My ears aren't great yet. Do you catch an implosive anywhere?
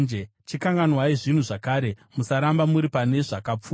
no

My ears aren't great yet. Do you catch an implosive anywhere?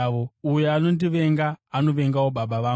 yes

